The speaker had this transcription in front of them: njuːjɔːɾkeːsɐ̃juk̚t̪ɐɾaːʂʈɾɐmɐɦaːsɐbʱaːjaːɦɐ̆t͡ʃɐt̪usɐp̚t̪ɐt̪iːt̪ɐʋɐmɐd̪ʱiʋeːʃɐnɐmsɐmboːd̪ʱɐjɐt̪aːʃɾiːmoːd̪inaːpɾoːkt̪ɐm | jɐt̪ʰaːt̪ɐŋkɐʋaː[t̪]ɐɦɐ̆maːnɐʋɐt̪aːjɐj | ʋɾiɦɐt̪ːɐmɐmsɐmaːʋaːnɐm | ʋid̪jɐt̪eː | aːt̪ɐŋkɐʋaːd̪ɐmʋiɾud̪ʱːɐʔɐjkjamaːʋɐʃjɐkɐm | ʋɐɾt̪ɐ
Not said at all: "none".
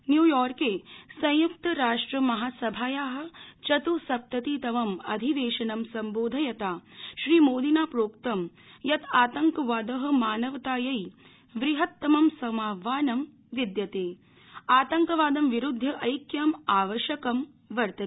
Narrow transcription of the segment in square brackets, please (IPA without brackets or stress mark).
d̪